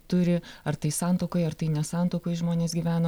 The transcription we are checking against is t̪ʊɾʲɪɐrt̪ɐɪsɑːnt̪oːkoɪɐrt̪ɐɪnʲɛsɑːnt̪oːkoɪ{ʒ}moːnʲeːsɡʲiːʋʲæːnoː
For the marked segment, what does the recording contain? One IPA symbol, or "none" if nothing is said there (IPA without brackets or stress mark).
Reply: ʒ